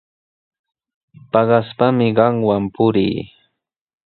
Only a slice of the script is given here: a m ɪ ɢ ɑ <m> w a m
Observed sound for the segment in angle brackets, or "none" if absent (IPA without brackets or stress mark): ŋ